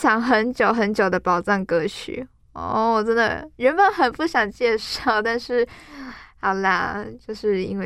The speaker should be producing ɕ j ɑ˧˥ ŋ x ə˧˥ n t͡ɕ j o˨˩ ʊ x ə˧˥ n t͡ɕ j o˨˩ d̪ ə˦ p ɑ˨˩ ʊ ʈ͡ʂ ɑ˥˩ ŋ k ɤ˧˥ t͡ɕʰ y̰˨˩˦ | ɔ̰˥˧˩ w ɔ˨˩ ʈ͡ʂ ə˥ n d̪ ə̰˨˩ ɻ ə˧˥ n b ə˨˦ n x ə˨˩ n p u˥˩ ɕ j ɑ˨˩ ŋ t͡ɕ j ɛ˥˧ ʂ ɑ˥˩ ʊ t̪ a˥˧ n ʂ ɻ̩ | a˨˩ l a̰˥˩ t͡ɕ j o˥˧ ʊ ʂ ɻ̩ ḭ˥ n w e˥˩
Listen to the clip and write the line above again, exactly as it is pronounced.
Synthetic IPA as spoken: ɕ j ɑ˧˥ ŋ x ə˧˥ n t͡ɕ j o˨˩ ʊ x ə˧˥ n t͡ɕ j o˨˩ d̪ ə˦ p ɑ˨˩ ʊ ʈ͡ʂ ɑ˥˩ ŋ k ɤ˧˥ t͡ɕʰ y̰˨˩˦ | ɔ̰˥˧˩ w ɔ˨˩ ʈ͡ʂ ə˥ n d̪ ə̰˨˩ ɻ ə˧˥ n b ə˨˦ n x ə˨˩ n p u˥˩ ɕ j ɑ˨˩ ŋ t͡ɕ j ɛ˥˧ ʂ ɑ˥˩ ʊ t̪ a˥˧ n ʂ ɻ̩ | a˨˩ l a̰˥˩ t͡ɕ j o˥˧ ʊ ʂ ɻ̩ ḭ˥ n w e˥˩